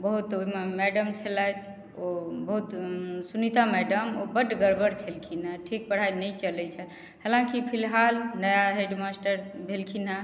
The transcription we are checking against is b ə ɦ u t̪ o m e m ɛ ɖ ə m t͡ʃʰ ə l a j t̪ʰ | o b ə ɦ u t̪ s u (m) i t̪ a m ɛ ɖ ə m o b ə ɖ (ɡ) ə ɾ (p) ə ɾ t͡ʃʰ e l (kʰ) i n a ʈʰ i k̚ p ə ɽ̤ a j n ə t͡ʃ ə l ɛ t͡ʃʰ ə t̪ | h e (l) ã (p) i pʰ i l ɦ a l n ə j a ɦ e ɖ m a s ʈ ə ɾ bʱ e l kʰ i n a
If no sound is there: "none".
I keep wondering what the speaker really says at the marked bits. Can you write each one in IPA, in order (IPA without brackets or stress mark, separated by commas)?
n, ɡ, b, kʰ, l, k